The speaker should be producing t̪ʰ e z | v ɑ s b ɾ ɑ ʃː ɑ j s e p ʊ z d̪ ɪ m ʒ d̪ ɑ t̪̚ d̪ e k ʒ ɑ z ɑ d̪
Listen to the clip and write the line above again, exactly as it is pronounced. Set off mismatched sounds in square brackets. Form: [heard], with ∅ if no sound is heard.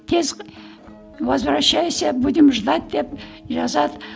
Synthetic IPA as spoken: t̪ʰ e z | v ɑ [z] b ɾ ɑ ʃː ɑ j s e [b] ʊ [∅] d̪ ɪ m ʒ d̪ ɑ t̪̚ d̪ e [p] ʒ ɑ z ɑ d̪